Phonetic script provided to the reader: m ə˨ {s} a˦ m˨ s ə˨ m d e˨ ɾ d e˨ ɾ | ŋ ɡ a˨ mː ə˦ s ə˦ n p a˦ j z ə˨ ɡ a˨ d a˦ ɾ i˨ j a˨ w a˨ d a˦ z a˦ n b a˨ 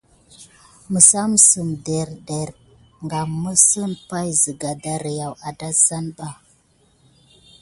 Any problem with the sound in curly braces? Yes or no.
no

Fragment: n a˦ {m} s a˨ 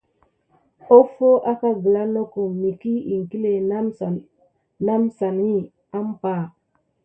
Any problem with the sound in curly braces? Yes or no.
no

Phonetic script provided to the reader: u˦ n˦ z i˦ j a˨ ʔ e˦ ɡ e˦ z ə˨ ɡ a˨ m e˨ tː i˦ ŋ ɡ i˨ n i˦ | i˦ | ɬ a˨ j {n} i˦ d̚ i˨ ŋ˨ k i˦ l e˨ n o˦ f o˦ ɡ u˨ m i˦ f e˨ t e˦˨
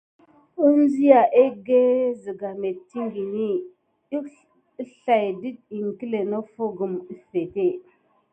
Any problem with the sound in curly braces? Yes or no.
yes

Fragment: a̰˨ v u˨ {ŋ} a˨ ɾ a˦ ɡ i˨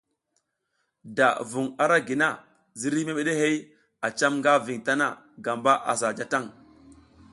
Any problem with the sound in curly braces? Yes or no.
no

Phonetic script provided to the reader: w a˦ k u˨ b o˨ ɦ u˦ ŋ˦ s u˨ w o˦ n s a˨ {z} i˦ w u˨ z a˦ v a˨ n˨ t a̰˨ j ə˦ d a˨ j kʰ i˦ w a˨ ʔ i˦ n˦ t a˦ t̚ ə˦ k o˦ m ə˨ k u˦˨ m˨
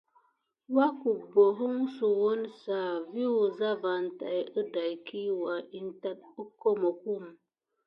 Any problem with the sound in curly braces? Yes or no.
yes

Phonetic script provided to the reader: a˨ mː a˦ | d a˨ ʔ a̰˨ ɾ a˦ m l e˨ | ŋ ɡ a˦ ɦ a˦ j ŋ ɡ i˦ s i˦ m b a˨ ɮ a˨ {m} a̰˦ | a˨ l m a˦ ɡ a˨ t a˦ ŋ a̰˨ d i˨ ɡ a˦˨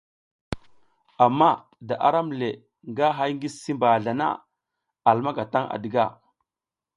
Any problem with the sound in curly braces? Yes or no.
yes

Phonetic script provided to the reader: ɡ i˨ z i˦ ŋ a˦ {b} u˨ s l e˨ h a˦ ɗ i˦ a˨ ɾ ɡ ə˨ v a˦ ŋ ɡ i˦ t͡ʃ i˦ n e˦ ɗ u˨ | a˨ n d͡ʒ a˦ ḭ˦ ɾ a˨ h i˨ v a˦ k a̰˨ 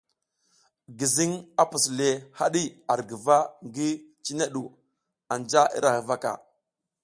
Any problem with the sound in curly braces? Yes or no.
yes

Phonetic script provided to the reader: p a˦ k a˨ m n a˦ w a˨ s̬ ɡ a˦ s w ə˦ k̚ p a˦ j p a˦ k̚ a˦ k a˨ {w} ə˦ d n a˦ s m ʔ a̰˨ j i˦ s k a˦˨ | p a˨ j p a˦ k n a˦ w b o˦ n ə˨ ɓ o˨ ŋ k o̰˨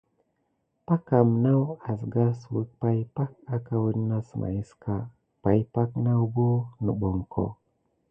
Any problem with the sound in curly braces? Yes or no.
no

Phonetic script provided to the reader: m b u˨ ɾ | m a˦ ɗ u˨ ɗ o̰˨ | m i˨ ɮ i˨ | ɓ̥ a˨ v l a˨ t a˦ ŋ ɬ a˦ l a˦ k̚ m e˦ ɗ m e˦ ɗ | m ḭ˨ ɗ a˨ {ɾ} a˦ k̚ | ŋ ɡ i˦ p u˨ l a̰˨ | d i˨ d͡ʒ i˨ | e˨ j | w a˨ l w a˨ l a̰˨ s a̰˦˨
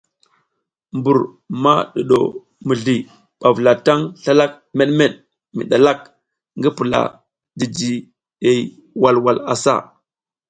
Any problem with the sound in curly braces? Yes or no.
yes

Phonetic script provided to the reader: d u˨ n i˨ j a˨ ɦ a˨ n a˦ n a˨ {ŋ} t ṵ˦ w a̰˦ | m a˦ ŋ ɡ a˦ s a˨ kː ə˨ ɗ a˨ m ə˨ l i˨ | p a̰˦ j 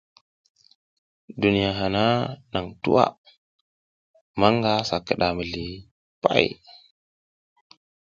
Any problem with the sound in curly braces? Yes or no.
no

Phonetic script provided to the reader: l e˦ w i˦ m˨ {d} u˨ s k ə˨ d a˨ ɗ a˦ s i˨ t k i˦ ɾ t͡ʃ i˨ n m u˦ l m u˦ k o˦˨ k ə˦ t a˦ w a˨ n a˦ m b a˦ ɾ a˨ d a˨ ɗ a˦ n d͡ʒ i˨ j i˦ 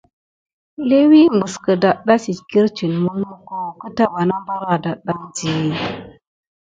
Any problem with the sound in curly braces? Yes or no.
yes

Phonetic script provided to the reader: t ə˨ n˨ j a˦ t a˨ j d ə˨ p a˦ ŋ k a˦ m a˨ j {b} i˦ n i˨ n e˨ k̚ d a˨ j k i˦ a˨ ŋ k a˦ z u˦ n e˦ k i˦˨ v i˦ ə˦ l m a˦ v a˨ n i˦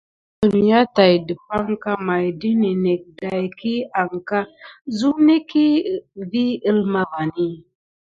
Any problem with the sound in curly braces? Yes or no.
yes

